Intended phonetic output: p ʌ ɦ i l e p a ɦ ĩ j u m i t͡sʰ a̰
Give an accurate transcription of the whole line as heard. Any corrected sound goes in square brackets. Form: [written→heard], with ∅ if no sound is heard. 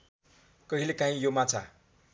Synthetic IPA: [p→k] ʌ ɦ i l e [p→k] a ɦ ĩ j [u→o] m [i→a] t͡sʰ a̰